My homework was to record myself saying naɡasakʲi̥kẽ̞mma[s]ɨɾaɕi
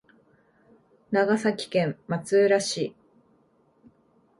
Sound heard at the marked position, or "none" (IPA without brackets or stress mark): t͡s